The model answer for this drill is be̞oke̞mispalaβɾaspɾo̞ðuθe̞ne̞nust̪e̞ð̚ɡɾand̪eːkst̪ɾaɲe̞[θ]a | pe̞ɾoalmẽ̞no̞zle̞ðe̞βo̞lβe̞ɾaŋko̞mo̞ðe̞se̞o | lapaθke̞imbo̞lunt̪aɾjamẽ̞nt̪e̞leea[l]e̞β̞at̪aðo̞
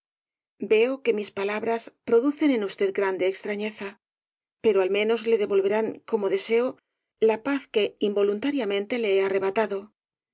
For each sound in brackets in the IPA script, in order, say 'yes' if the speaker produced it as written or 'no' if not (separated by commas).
yes, no